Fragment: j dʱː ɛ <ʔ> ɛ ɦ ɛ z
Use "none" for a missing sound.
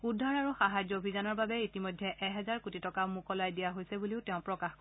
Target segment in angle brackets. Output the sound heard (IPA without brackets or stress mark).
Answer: ʔ